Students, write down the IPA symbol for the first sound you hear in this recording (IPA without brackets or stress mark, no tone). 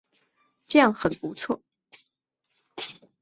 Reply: ʈ͡ʂ